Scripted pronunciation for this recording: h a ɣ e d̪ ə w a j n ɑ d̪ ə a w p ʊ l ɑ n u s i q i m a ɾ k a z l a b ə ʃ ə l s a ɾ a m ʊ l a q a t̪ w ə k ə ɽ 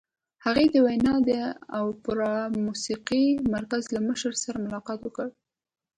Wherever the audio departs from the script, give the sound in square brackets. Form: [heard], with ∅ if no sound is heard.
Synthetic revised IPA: h a ɣ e d̪ ə w a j n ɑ d̪ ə a w p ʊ [ɾ] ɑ [m] u s i q i m a ɾ k a z l a [m] ə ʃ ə [ɾ] s a ɾ a m ʊ l [ɑ] q [ɑ] t̪ w ə k ə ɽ

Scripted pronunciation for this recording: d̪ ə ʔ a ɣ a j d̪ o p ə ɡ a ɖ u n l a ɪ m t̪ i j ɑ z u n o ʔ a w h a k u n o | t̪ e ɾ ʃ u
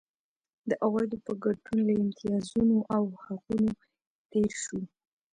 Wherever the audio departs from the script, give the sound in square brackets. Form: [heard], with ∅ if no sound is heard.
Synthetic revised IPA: d̪ ə ʔ a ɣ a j d̪ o p ə ɡ a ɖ u n l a ɪ m t̪ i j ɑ z u n o ʔ a w h a [q] u n o | t̪ e ɾ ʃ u

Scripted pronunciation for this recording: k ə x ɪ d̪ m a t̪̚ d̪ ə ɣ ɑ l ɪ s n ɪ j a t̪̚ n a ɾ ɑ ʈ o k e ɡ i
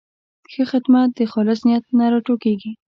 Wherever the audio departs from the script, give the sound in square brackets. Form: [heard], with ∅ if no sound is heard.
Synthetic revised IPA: [x] ə x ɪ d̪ m a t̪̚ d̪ ə [x] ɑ l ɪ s n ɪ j a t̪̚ n a ɾ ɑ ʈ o k e ɡ i

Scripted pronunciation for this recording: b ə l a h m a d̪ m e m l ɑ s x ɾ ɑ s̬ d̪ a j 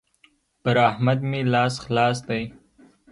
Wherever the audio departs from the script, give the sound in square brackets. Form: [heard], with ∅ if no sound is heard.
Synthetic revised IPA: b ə [ɾ] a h m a d̪ m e [∅] l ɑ s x [l] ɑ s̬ d̪ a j

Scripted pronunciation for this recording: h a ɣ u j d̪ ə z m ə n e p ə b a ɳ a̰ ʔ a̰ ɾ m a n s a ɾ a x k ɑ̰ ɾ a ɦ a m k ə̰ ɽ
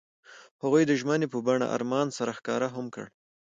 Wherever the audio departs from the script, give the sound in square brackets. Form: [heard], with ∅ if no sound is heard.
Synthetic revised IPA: h a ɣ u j d̪ ə [ʒ] m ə n e p ə b a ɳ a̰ ʔ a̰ ɾ m [ɑ] n s a ɾ a x k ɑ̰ ɾ a ɦ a m k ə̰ ɽ

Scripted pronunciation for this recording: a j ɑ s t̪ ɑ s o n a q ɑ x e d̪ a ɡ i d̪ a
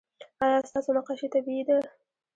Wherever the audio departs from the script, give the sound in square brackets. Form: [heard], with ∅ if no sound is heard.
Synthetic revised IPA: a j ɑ s t̪ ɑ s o n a q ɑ [ʃ] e [t̪] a [b] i d̪ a

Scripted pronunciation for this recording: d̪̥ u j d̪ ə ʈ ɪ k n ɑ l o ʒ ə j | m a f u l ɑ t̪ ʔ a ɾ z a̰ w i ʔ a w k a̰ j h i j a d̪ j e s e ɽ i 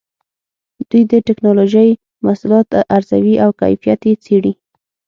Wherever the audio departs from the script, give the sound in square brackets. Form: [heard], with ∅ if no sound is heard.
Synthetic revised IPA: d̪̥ u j d̪ ə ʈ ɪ k n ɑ l o ʒ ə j | m a [s] u l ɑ t̪ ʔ a ɾ z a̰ w i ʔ a w k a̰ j [f] i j a [t̪] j e [t͡s] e ɽ i

